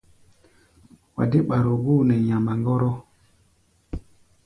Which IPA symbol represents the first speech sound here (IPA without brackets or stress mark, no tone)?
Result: w